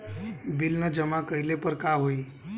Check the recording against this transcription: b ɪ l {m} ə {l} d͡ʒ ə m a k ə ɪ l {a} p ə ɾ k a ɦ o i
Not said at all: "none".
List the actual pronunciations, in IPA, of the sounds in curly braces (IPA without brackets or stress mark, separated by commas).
n, none, e